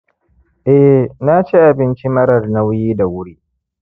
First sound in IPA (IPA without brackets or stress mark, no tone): ʔ